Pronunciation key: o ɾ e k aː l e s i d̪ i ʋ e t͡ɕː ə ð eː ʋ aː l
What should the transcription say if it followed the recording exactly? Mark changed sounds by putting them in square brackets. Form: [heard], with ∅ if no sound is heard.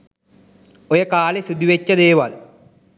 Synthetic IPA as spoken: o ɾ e k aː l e s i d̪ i ʋ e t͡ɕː [ɐ] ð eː ʋ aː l